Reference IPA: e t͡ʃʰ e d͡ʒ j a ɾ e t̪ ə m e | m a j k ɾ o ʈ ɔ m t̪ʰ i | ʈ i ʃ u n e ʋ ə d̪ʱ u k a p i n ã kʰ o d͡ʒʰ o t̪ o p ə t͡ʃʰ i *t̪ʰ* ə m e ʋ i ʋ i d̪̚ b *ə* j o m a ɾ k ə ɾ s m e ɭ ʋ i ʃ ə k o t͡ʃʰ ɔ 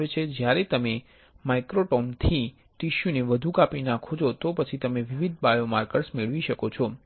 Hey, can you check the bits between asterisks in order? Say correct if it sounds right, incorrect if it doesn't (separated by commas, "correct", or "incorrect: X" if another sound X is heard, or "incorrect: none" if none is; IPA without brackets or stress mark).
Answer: incorrect: t̪, incorrect: a